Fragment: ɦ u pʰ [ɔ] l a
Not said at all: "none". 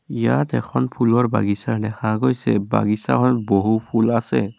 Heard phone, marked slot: u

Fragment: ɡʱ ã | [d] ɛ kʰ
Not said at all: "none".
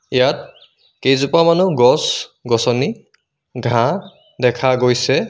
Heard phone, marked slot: d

